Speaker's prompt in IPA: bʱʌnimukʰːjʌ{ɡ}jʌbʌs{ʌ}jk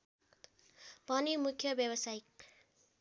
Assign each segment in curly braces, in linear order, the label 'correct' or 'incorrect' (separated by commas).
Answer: incorrect, incorrect